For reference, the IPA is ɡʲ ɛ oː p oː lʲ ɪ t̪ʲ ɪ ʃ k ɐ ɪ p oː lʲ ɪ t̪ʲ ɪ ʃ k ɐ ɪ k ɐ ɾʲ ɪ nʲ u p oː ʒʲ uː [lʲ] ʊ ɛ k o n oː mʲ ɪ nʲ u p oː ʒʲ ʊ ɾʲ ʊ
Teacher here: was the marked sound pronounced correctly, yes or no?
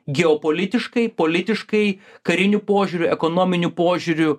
no